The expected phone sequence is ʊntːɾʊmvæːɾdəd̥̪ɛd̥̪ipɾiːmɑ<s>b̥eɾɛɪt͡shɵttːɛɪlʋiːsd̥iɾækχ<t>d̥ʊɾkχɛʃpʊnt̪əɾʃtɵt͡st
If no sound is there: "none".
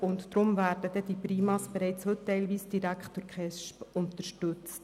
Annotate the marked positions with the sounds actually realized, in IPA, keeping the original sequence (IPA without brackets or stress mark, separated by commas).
s, t